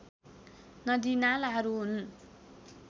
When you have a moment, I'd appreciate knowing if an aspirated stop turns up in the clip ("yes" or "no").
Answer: no